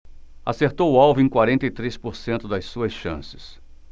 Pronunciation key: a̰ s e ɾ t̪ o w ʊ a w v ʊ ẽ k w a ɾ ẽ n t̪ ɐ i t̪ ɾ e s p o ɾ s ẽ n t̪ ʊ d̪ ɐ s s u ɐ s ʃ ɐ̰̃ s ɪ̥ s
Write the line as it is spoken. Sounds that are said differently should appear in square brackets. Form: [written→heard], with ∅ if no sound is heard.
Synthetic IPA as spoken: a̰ s e ɾ t̪ o w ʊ a w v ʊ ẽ k w a ɾ ẽ n t̪ ɐ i t̪ ɾ e s p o ɾ s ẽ n t̪ ʊ d̪ ɐ s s u ɐ s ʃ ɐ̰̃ s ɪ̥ s